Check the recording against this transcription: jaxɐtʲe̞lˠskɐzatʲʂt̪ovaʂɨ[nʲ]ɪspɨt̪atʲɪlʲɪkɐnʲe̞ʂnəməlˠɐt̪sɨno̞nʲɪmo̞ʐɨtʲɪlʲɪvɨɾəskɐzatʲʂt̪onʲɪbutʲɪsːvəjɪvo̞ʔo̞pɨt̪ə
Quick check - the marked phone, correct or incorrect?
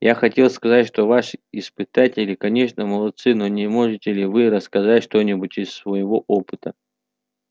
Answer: incorrect